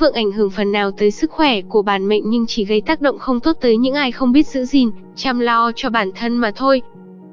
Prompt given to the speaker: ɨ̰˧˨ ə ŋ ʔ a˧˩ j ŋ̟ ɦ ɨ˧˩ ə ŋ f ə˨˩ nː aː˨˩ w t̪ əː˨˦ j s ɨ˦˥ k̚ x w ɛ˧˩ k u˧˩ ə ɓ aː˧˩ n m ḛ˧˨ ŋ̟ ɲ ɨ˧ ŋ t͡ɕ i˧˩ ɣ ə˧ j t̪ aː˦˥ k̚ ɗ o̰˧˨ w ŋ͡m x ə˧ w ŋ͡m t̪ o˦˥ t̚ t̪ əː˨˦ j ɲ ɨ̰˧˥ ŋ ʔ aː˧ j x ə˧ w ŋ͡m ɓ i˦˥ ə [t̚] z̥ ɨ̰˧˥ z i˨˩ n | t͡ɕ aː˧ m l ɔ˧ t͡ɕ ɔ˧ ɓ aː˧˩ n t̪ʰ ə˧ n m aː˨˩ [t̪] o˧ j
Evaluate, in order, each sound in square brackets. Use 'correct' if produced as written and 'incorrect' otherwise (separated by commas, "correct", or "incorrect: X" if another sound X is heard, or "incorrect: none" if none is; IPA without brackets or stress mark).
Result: correct, incorrect: t̪ʰ